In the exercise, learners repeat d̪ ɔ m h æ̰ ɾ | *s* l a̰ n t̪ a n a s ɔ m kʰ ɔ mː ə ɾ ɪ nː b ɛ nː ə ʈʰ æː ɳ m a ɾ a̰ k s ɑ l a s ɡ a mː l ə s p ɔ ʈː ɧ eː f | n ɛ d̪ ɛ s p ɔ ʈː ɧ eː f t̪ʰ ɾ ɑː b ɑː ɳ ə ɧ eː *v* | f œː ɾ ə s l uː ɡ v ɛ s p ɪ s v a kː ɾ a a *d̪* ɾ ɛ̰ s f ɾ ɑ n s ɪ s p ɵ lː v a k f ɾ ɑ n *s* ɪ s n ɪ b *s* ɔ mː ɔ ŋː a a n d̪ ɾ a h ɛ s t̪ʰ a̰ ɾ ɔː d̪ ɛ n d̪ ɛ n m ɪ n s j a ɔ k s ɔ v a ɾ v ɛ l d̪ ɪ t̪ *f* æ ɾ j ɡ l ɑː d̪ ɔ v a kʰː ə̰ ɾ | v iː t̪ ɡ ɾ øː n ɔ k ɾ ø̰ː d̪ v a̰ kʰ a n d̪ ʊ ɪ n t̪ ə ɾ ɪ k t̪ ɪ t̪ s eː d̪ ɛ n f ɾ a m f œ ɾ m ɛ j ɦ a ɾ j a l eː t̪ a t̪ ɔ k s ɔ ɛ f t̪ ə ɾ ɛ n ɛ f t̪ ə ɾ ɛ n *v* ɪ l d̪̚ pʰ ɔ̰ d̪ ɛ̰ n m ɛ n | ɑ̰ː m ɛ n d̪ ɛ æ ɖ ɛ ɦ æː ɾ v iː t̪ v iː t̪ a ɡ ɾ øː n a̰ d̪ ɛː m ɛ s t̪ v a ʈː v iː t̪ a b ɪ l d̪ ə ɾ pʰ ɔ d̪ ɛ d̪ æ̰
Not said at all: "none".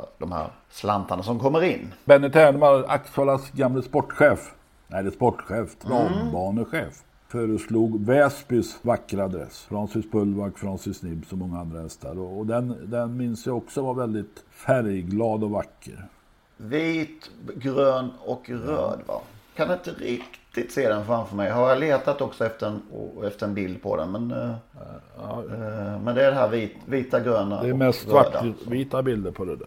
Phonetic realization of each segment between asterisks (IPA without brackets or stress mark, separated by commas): s, f, d̪, s, s, f, b